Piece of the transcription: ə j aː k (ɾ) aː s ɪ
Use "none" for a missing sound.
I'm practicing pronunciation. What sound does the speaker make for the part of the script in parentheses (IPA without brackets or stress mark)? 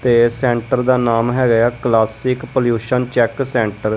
l